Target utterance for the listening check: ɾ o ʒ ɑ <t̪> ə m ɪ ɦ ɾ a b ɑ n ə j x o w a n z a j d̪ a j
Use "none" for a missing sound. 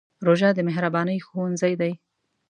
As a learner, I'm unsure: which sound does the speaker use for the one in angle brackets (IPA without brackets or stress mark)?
d̪